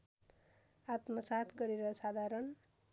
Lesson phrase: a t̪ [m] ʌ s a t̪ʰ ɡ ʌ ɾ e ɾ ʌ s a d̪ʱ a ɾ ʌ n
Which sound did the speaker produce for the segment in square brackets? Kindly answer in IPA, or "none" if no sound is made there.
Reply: m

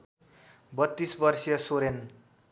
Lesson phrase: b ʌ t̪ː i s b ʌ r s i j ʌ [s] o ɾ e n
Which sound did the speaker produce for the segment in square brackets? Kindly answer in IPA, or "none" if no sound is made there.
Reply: s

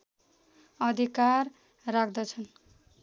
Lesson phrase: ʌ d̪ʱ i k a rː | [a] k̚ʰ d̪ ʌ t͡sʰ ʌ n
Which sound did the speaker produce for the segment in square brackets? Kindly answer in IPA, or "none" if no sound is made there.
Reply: a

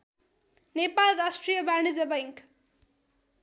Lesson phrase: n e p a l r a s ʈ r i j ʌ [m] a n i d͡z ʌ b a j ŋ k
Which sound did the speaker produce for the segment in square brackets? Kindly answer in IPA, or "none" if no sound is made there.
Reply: b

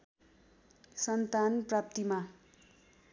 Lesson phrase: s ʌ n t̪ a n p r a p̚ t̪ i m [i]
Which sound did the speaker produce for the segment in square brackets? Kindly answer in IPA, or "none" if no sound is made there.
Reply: a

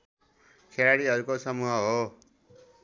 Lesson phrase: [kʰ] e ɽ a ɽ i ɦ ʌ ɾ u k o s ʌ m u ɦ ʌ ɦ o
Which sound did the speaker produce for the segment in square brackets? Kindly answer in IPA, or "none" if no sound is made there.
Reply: kʰ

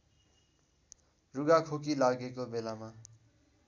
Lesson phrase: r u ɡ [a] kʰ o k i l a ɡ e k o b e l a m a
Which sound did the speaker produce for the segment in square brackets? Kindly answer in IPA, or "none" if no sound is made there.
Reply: a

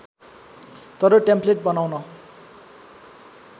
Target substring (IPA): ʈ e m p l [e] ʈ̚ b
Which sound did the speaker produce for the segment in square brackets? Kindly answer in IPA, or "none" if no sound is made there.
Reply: e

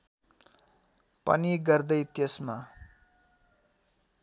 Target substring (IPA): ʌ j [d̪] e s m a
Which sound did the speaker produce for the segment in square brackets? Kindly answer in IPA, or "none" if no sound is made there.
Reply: t̪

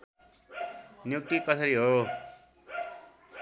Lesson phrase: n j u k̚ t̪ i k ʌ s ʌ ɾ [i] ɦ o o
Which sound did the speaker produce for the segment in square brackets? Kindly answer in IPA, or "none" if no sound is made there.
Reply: i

